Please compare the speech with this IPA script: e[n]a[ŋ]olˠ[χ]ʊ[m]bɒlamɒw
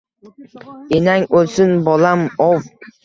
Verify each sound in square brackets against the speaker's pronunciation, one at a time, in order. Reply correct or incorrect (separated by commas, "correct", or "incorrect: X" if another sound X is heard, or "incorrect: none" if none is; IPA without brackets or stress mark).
correct, correct, incorrect: s, incorrect: n